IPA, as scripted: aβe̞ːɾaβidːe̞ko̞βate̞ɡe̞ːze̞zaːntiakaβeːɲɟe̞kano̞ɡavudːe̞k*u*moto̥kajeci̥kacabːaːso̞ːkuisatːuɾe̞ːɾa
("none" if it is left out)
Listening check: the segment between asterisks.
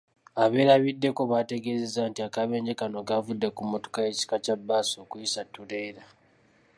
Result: u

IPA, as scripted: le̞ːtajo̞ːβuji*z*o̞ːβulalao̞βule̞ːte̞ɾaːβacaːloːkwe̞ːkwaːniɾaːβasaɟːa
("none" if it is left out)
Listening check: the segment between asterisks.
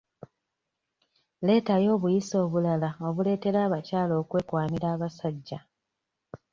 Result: s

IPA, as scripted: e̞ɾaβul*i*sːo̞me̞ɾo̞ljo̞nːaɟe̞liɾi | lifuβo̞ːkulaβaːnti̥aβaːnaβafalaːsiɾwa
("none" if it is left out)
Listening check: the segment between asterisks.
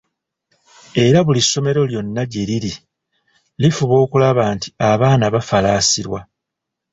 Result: i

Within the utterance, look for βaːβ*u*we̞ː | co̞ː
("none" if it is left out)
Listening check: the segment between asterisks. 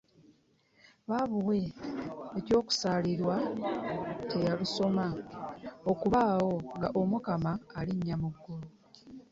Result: u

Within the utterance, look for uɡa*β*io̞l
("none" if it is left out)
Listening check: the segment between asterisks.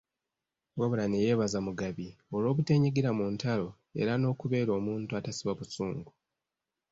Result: β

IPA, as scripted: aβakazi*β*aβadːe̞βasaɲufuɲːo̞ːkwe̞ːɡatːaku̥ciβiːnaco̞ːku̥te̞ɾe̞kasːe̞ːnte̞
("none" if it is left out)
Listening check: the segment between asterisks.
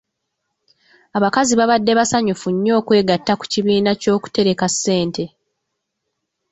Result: β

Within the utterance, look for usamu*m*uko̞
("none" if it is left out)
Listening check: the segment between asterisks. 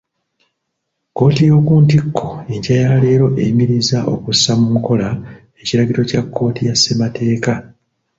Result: m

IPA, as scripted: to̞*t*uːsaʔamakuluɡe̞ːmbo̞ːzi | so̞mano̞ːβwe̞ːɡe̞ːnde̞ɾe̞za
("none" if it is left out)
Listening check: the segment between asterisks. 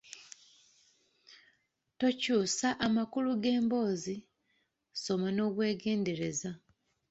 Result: c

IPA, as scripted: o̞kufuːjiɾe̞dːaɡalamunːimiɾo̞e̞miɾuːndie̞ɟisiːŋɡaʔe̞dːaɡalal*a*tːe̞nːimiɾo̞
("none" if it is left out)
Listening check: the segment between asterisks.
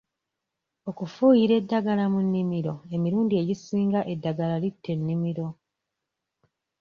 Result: i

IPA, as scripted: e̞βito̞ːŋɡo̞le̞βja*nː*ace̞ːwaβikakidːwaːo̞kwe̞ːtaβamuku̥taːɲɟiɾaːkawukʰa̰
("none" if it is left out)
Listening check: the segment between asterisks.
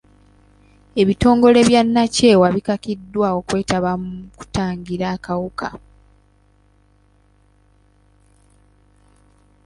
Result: nː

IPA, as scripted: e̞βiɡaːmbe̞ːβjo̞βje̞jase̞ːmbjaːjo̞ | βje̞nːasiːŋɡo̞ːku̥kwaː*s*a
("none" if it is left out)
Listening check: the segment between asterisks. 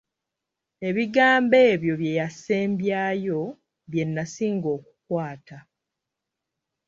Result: t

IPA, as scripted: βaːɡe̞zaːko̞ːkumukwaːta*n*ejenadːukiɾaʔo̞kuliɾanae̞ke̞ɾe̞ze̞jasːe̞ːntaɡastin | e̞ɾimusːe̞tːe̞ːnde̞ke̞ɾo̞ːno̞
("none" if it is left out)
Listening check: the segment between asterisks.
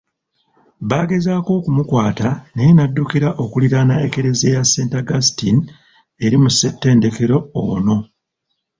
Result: n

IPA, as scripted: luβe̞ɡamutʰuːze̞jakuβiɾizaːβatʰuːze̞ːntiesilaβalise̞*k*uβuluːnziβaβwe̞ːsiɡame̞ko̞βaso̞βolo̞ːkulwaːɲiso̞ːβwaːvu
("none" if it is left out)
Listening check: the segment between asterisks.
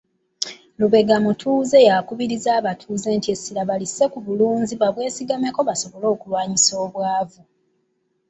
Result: k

